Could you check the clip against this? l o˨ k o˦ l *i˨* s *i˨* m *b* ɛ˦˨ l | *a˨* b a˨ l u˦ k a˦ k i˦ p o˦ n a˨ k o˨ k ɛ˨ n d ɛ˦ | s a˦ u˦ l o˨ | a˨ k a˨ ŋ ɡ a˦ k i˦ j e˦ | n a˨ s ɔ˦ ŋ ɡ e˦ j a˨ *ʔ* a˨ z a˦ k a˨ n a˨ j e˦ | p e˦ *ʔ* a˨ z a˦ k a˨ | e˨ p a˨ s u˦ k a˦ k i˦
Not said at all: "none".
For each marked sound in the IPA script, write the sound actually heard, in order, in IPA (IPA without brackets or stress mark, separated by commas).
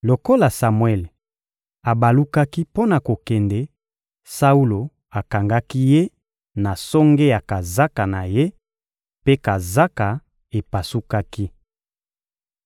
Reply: a˨, a˨, w, a˨, k, k